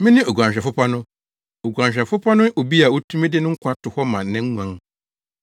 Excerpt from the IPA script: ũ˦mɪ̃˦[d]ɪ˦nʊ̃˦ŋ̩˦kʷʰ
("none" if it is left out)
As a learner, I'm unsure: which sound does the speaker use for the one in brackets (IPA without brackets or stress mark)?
d